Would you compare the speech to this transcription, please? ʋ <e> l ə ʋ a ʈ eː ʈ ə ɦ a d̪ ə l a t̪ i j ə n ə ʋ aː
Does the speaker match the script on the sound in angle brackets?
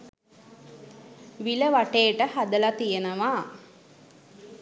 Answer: no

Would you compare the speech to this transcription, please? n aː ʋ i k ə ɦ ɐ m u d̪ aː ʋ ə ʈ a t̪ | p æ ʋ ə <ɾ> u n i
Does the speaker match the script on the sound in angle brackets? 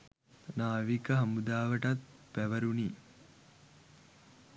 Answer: yes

